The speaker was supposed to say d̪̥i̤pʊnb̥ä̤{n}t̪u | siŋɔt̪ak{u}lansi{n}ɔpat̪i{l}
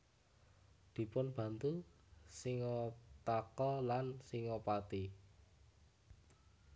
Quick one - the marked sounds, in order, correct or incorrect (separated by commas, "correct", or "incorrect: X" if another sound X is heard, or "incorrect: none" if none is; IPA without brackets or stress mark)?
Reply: correct, incorrect: ɔ, incorrect: ŋ, incorrect: none